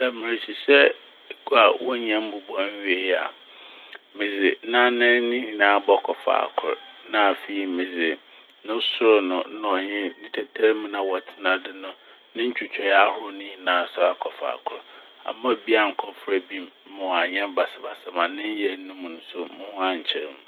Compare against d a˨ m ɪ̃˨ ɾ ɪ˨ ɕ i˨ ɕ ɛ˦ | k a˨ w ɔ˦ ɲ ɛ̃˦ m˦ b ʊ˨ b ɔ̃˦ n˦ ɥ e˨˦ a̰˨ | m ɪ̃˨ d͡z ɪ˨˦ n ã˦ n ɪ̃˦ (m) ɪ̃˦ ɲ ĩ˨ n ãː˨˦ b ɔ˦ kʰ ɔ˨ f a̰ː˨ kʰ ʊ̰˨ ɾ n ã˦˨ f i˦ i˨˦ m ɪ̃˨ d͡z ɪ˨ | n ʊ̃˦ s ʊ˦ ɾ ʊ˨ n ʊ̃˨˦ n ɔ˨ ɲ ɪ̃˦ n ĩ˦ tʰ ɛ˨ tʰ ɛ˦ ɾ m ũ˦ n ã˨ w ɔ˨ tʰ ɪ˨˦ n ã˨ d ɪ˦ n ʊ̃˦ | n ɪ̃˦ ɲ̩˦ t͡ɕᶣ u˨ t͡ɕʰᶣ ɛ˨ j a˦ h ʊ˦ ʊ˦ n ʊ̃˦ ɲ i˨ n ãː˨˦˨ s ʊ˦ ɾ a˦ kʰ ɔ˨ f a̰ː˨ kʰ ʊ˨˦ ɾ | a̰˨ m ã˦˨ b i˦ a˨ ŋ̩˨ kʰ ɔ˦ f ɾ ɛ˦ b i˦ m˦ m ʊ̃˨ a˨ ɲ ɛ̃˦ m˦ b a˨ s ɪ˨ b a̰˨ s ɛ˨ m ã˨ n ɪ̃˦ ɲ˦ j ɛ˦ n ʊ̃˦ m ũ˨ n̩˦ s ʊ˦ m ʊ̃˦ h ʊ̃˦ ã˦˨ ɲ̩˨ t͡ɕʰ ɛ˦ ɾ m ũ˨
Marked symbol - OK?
no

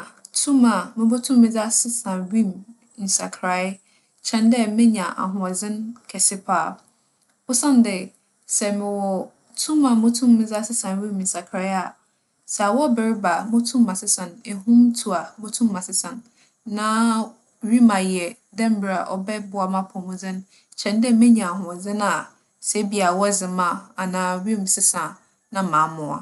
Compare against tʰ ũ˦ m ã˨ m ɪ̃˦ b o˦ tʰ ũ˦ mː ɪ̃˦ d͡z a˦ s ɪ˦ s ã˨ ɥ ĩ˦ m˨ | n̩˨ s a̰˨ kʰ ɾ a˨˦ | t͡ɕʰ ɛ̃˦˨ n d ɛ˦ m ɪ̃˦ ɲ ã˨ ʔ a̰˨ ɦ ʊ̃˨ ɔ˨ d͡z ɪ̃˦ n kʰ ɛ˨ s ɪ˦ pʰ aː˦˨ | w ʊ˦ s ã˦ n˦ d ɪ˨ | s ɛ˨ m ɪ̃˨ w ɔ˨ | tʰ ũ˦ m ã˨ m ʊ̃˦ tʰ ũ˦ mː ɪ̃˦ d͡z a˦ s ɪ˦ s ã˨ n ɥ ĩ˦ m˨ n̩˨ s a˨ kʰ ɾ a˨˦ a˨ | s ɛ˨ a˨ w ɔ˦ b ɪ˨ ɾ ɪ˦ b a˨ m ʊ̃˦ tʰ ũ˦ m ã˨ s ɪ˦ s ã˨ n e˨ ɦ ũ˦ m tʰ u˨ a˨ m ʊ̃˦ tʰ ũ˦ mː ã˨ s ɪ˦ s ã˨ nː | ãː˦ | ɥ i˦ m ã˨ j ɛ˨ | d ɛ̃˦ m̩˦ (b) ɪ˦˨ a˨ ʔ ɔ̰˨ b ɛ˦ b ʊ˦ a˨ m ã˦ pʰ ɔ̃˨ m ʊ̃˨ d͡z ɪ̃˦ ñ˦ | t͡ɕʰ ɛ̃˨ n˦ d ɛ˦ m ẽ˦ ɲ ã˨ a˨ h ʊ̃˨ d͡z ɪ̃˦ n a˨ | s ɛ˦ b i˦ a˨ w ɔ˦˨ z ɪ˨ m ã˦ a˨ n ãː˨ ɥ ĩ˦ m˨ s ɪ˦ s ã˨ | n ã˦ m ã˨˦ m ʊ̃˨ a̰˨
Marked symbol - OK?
yes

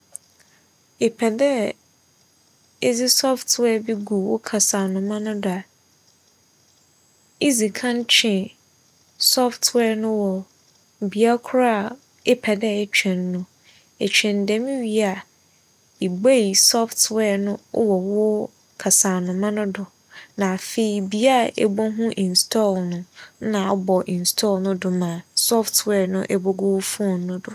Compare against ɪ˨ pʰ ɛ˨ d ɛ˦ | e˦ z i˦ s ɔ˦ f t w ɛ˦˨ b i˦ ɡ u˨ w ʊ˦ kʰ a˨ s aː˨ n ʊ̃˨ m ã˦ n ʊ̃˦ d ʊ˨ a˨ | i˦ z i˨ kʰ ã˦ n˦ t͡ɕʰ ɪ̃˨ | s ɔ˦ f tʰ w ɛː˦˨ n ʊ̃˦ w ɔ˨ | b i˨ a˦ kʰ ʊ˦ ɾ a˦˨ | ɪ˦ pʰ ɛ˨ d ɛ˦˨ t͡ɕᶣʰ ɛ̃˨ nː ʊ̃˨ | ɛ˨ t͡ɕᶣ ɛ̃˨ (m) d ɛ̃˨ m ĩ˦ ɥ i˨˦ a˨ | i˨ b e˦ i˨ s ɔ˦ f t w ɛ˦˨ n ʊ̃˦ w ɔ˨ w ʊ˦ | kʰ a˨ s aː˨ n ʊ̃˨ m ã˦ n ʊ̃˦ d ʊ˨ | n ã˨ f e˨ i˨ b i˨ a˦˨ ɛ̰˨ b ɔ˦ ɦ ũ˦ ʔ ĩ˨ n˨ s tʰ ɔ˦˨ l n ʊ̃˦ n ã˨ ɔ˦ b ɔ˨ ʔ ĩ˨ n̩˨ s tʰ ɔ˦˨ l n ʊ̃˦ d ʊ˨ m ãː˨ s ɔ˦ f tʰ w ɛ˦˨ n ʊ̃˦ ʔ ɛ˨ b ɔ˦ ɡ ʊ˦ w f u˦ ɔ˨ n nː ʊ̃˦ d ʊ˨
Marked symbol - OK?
no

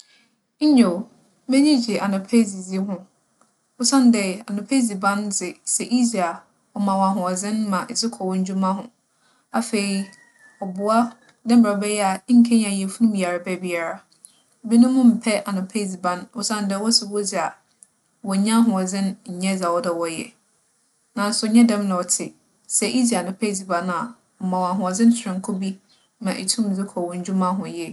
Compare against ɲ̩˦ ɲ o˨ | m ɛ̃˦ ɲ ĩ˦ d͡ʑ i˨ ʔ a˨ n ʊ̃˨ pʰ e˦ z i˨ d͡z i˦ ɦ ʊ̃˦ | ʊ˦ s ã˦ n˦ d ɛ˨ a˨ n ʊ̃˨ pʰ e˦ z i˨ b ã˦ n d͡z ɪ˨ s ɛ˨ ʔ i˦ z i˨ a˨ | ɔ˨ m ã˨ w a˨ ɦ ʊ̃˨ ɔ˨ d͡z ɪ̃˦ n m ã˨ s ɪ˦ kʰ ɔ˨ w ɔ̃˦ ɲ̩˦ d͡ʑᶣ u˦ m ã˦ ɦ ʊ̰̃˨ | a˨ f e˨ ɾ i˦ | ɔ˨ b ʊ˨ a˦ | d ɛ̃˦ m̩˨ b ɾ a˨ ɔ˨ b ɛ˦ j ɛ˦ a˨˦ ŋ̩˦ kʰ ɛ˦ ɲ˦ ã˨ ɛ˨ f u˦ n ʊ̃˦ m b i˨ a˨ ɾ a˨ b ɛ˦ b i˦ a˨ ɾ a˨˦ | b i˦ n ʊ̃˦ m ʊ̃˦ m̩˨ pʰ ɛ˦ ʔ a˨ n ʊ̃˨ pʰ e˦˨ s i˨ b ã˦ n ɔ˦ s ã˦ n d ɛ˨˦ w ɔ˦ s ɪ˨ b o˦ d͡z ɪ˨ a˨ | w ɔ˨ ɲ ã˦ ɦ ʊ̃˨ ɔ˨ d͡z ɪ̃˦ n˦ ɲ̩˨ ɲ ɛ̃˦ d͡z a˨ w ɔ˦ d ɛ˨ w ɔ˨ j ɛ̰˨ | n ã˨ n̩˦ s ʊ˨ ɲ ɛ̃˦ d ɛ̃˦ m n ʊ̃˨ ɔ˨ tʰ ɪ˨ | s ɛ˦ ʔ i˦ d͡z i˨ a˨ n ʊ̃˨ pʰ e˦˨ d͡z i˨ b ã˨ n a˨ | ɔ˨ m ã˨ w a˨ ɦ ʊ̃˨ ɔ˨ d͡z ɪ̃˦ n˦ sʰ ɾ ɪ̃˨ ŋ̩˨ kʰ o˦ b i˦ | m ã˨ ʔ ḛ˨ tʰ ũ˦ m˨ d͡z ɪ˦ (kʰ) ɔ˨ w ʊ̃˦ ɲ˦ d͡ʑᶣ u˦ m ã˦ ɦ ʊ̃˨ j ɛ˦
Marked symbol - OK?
yes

